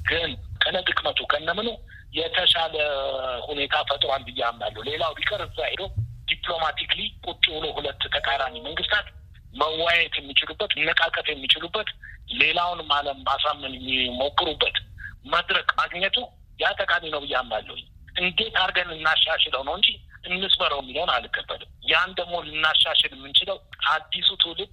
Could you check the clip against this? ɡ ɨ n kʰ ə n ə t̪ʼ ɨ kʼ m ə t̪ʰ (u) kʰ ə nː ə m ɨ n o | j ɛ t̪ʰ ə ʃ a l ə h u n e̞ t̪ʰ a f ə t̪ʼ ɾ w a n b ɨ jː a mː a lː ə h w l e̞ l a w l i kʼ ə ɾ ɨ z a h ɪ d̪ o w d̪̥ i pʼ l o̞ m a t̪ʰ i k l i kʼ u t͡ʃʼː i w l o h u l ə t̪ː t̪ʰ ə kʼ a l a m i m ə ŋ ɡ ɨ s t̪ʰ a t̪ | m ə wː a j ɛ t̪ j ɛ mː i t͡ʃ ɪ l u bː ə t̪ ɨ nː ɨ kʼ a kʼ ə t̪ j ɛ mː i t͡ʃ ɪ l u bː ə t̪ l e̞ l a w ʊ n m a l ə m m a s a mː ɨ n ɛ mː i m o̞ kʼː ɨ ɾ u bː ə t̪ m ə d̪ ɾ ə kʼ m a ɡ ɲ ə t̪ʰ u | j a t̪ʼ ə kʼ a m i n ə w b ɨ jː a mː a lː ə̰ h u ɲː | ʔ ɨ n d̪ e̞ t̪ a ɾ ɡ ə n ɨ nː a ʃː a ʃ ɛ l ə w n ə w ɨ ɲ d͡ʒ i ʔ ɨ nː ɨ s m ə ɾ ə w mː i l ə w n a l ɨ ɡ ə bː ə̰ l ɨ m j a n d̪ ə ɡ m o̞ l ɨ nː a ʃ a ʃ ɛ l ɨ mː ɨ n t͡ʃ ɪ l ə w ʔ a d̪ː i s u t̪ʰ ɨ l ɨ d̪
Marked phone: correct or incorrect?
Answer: correct